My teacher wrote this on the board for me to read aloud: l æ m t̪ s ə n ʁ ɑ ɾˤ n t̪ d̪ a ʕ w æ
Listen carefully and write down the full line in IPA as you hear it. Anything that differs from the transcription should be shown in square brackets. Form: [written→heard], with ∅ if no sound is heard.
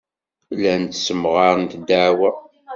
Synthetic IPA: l æ [m→n] t̪ s ə [n→m] ʁ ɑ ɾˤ n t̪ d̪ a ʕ w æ